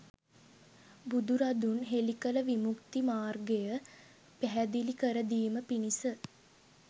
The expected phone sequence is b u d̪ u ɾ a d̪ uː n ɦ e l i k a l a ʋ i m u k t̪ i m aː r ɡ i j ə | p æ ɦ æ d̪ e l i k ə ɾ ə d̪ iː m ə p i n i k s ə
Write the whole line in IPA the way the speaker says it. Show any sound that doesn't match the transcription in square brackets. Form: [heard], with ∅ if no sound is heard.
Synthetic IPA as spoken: b u d̪ u ɾ a d̪ [u] n ɦ e l i k [ə] l [ə] ʋ i m u k t̪ i m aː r ɡ [e] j ə | p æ ɦ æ d̪ [i] l i k ə ɾ ə d̪ iː m ə p i n i [∅] s ə